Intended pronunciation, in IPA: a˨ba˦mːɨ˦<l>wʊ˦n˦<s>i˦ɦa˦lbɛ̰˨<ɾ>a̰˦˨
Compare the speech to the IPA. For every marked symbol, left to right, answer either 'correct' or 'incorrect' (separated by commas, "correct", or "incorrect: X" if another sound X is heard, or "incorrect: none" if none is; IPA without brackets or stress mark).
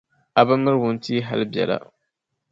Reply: incorrect: ɾ, incorrect: t, incorrect: l